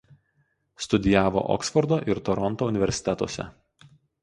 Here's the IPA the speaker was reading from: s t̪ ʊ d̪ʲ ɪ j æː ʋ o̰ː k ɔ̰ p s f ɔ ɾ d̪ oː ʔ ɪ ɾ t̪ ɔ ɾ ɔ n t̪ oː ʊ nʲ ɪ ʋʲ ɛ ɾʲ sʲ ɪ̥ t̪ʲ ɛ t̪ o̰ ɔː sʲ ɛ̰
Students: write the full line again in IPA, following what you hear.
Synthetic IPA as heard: s t̪ ʊ d̪ʲ ɪ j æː ʋ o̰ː ʔ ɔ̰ k s f ɔ ɾ d̪ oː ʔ ɪ ɾ t̪ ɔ ɾ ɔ n t̪ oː ʊ nʲ ɪ ʋʲ ɛ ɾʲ sʲ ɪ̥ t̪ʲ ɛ t̪ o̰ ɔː sʲ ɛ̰